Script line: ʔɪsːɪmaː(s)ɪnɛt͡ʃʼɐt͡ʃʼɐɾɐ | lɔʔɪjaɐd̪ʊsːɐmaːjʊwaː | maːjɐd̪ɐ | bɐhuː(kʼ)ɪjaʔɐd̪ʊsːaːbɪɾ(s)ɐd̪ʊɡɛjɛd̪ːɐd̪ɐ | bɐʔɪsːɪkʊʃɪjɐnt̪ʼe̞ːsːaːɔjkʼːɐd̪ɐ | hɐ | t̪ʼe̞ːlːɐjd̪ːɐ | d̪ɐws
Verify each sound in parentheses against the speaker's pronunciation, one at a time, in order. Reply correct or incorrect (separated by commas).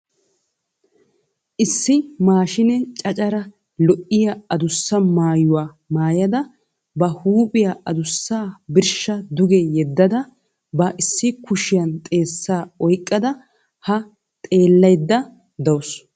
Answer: incorrect, incorrect, incorrect